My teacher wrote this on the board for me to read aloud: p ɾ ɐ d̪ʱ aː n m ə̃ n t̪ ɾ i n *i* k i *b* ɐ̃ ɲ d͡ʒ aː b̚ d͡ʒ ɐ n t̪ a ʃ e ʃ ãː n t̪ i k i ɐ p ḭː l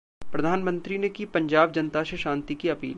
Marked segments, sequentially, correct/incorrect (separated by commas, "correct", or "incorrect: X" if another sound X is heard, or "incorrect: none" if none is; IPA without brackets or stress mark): incorrect: e, incorrect: p